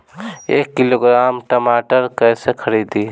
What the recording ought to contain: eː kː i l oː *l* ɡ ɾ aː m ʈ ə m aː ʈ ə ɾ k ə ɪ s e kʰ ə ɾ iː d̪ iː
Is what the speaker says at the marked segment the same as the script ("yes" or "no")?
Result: no